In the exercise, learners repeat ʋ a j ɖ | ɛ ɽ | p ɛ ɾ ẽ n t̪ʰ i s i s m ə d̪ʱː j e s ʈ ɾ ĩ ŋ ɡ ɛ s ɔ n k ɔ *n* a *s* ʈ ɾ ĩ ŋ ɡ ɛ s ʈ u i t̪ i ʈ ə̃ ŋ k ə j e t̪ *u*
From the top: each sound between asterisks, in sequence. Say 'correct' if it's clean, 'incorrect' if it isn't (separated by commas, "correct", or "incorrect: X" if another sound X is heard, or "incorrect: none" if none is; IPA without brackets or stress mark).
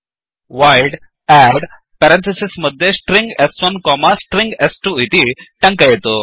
incorrect: m, correct, incorrect: o